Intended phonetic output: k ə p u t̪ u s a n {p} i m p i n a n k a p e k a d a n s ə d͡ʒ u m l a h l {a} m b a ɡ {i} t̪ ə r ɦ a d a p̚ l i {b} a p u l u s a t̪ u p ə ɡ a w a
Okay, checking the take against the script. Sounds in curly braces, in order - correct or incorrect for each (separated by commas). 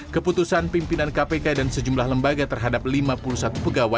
correct, incorrect, incorrect, incorrect